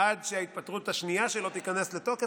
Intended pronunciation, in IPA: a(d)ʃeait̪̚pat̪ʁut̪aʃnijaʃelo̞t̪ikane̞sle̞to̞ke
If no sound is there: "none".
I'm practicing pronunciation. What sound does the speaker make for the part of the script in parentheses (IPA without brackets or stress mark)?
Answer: d